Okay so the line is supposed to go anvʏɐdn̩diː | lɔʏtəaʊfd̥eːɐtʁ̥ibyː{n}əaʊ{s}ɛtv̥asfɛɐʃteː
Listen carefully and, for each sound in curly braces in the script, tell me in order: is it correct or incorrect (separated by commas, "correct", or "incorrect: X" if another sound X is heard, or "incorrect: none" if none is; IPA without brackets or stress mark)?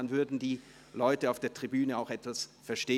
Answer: correct, incorrect: x